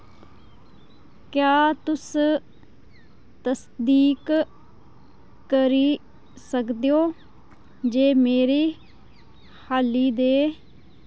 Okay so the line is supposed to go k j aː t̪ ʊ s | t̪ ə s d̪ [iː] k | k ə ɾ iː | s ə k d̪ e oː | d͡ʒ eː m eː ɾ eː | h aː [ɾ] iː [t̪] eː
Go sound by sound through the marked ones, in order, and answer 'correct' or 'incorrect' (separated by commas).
correct, incorrect, incorrect